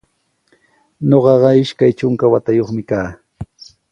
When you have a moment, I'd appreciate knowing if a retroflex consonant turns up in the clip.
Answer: no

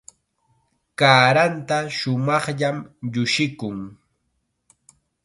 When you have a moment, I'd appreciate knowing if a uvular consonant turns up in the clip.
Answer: yes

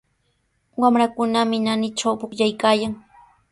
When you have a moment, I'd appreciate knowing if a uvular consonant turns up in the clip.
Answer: no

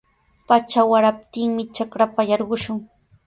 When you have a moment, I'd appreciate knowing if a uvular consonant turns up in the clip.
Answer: yes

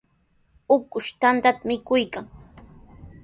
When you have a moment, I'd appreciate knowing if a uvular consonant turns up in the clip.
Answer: no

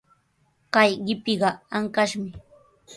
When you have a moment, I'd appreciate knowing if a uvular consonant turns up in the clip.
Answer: yes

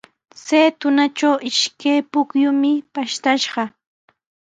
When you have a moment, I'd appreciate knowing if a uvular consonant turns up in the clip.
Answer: yes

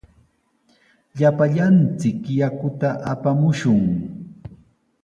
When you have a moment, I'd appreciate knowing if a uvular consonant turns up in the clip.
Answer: no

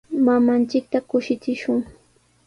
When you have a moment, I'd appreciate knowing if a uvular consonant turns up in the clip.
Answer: no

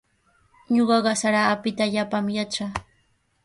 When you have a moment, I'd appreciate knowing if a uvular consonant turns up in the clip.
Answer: yes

